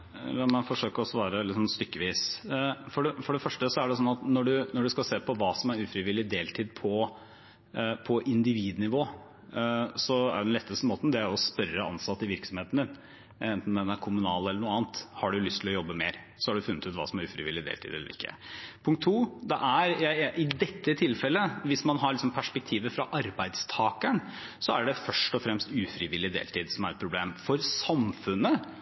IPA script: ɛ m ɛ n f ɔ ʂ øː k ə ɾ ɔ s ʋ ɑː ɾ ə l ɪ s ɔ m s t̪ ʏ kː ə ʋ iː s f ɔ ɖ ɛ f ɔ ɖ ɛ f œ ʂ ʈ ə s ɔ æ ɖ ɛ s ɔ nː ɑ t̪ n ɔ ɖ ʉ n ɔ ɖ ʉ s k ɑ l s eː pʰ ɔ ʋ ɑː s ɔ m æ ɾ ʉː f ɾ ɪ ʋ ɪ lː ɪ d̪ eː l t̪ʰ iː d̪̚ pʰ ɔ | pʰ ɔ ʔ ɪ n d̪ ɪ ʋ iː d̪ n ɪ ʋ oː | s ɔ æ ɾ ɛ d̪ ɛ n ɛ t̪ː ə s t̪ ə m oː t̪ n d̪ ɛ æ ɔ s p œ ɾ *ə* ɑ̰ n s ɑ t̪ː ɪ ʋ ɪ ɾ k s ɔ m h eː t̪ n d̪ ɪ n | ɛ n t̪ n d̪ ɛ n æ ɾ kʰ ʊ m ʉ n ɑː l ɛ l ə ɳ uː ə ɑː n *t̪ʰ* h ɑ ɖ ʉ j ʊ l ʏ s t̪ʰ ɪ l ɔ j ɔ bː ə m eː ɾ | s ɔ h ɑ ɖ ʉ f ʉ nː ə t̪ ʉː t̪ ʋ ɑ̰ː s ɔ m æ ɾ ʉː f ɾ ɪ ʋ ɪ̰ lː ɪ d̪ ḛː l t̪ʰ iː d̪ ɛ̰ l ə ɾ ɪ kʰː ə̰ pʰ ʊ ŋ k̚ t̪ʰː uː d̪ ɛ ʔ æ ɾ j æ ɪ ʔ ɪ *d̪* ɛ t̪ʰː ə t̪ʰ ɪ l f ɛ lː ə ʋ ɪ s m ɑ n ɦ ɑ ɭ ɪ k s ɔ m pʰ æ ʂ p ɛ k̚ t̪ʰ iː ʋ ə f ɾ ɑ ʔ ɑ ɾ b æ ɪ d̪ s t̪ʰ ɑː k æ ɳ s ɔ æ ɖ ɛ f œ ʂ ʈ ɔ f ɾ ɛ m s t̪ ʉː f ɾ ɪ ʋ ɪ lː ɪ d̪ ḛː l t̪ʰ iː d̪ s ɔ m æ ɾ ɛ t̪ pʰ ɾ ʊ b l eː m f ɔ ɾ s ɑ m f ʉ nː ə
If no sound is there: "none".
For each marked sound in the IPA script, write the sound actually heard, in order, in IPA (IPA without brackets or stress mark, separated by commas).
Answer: ə, t̪, d̪